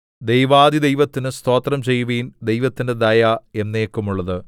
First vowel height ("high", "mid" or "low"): mid